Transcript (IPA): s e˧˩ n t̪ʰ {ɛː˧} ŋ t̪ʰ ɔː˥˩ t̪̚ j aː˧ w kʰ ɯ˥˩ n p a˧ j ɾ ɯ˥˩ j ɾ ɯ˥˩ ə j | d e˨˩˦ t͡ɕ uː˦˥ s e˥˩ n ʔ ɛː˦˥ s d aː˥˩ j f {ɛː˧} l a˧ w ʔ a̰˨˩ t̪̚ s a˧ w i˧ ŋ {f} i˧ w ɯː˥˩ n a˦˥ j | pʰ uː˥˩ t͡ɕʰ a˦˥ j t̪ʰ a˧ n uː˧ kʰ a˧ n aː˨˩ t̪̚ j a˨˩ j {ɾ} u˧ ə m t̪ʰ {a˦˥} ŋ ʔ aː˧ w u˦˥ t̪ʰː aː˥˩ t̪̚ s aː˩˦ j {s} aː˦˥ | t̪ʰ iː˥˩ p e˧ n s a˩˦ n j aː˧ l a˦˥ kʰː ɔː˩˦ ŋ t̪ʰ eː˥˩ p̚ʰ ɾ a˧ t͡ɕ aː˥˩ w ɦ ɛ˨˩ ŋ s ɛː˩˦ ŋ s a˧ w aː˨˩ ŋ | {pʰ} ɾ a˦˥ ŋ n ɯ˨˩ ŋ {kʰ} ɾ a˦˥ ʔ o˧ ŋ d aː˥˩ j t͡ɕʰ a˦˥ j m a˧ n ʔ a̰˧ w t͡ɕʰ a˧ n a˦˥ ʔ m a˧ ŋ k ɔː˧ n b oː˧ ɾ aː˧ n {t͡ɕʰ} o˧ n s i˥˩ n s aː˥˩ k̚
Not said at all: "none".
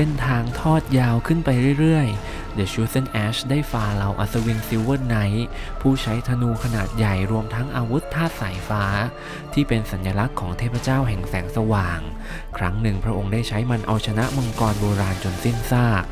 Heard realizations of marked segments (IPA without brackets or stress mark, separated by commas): aː˧, aː˧, s, ɾ, a˦˥, f, kʰ, pʰ, t͡ɕ